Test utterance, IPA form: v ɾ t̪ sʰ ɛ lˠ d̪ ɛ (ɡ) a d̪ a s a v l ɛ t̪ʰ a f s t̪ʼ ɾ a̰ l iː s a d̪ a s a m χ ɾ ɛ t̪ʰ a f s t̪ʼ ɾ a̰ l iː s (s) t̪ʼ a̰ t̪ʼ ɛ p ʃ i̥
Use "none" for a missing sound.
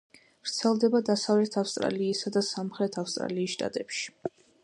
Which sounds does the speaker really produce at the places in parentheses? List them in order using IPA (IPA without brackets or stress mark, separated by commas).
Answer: b, ʃ